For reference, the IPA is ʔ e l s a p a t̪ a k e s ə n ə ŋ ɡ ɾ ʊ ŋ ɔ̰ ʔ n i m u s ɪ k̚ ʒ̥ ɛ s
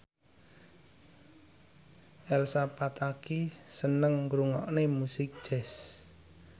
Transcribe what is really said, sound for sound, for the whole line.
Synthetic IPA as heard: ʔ ɛ l s a p a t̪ a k i s ə n ə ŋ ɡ ɾ u ŋ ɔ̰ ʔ n e m u s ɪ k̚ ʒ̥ ɛ s